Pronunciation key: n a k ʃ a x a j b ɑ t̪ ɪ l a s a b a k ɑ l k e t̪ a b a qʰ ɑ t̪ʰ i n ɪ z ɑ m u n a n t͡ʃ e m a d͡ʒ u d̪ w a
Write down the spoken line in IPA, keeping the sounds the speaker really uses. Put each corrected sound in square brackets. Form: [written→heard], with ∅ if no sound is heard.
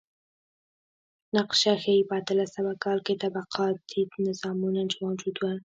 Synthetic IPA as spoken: n a [k→q] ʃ a x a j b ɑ t̪ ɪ l a s a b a k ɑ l k e t̪ a b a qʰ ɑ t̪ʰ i n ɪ z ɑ m u n a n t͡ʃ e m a d͡ʒ u d̪ w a

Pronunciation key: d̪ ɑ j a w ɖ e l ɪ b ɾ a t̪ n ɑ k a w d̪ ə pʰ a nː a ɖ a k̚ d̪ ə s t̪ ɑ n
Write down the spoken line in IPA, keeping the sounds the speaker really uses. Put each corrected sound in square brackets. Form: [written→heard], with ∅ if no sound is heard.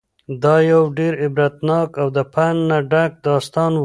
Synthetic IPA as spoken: d̪ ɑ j a w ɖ e [l→ɾ] ɪ b ɾ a t̪ n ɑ k a w d̪ ə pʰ a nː a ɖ a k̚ d̪ [ə→ɑ] s t̪ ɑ n

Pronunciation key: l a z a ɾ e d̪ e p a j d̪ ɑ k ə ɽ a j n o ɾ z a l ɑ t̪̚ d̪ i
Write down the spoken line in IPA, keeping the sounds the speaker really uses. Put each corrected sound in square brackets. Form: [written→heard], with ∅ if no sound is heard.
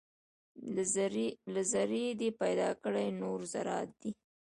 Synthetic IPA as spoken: l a z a ɾ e d̪ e p a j d̪ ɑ k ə ɽ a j n o ɾ z a [l→ɾ] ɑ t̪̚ d̪ i

